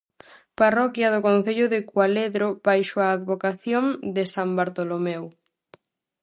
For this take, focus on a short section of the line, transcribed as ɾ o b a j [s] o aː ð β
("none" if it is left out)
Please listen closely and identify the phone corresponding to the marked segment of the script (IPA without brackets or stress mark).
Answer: ʃ